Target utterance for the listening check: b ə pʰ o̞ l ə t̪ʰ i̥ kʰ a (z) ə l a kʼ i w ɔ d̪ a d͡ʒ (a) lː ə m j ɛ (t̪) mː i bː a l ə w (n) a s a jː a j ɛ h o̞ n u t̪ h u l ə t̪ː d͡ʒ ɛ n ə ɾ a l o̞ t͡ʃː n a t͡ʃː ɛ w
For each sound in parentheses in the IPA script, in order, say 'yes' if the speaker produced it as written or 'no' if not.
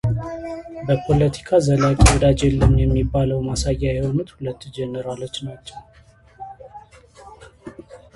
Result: yes, no, no, no

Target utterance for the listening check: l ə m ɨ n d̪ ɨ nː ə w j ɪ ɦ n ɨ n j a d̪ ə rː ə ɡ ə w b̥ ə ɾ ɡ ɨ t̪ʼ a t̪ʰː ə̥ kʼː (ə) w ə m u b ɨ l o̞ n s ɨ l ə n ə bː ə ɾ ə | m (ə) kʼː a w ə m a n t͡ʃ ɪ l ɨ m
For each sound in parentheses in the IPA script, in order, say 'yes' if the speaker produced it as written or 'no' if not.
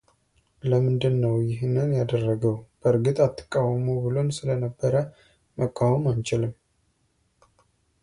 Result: no, yes

